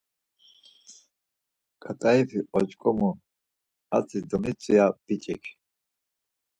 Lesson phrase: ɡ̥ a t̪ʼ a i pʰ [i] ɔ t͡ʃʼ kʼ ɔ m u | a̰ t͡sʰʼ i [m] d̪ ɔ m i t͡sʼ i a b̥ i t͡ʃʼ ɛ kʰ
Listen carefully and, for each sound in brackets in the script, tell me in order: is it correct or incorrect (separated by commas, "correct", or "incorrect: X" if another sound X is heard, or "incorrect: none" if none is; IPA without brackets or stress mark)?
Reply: correct, incorrect: none